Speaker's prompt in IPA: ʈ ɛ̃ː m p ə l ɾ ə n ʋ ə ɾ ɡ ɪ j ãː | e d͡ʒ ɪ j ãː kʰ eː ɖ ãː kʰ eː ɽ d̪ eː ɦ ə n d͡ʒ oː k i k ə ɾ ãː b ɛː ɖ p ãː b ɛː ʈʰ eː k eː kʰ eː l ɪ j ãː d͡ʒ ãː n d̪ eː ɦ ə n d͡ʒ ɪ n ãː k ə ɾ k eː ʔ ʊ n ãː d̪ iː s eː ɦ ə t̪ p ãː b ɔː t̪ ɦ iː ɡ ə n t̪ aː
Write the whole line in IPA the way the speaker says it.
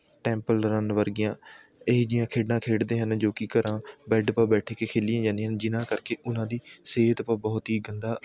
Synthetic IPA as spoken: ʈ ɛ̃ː m p ə l ɾ ə n ʋ ə ɾ ɡ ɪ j ãː | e d͡ʒ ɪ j ãː kʰ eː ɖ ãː kʰ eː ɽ d̪ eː ɦ ə n d͡ʒ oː k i k ə ɾ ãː b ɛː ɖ p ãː b ɛː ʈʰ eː k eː kʰ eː l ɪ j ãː d͡ʒ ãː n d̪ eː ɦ ə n d͡ʒ ɪ n ãː k ə ɾ k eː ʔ ʊ n ãː d̪ iː s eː ɦ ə t̪ p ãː b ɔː t̪ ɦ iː ɡ ə n d̪ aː